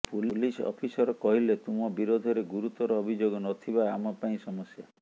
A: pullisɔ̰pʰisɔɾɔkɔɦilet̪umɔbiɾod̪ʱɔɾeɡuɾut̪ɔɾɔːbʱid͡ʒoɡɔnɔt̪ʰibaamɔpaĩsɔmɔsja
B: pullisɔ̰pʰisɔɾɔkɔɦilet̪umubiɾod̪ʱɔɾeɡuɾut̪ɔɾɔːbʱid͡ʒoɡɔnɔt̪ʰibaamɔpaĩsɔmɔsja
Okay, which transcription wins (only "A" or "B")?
A